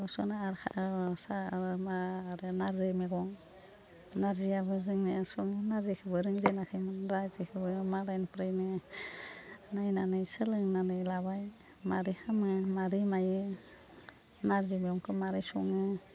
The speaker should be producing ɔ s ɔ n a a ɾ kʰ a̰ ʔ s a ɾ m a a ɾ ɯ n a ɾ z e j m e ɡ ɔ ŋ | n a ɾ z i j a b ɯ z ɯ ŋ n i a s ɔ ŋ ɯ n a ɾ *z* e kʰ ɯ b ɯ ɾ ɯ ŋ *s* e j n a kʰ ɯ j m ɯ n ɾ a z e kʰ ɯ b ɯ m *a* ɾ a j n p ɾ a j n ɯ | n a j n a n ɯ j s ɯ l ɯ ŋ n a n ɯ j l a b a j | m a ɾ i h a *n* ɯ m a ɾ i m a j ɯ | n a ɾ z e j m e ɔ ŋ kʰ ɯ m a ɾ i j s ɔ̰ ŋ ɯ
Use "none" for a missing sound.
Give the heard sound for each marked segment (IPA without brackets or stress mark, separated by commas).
z, z, a, m